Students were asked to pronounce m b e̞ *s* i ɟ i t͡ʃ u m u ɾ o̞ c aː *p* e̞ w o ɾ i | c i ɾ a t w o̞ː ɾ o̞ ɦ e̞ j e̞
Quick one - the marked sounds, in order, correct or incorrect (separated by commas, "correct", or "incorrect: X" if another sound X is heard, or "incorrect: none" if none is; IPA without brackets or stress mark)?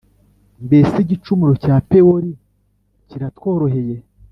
correct, correct